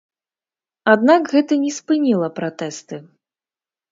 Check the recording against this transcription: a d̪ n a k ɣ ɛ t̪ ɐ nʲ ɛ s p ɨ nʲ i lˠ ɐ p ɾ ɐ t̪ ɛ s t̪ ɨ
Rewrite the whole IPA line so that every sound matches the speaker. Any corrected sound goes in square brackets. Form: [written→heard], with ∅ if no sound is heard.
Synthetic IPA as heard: a d̪ n a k ɣ ɛ t̪ ɐ nʲ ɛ s p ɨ nʲ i lˠ ɐ p ɾ [ɐ→a] t̪ ɛ s t̪ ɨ